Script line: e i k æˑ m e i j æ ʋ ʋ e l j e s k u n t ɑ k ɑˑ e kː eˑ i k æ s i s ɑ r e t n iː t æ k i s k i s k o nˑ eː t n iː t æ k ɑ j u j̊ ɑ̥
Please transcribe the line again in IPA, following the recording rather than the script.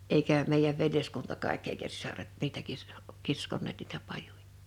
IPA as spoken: e i k æˑ m e i j æ ʋ ʋ e l j e s k u n t ɑ k ɑˑ e kː eˑ i k æ s i s ɑ r e t n iː t æ k i s k i s k o nˑ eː t n iː t æ p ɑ j u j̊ ɑ̥